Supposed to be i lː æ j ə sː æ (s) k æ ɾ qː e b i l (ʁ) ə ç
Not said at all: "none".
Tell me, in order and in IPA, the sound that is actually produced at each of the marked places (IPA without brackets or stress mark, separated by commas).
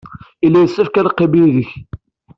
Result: f, ð